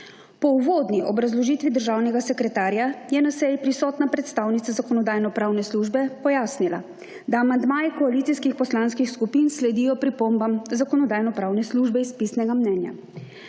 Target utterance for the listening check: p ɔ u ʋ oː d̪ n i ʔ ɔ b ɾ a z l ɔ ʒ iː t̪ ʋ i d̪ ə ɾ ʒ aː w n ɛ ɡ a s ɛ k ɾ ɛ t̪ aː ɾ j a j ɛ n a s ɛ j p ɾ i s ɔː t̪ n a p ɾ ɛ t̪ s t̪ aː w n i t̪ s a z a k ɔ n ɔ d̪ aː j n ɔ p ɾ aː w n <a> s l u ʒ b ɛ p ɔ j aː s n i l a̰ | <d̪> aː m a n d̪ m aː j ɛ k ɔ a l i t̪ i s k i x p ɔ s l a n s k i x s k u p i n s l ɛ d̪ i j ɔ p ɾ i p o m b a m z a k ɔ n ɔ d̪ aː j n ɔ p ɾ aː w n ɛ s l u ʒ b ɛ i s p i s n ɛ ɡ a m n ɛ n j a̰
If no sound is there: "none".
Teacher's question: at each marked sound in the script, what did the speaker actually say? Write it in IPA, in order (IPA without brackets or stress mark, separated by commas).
ɛ, d̪